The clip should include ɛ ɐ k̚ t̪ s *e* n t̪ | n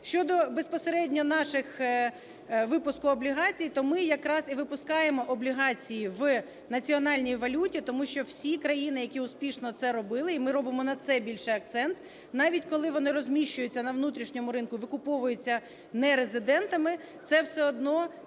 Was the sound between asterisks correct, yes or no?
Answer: no